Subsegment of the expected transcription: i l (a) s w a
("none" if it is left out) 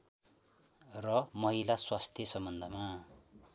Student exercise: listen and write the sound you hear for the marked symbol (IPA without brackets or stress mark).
a